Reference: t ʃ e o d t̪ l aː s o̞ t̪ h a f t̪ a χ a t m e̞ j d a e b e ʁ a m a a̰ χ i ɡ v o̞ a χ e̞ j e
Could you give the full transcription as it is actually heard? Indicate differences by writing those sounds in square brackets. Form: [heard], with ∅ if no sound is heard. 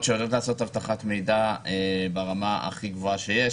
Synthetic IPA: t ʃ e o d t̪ l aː s o̞ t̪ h a [v] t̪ a χ a t m e̞ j d a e b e ʁ a m a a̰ χ i ɡ v o̞ a [ʃ] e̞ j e